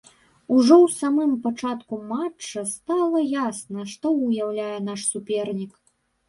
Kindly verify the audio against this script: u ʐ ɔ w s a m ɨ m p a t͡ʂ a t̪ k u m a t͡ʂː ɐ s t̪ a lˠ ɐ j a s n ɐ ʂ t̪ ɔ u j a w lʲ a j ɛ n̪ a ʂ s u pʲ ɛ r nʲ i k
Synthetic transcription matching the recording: u ʐ ɔ w s a m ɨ m p a t͡ʂ a t̪ k u m a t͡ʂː ɐ s t̪ a lˠ ɐ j a s n ɐ ʂ t̪ ɔ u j a w lʲ a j ɛ n̪ a ʂ s u pʲ ɛ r nʲ i k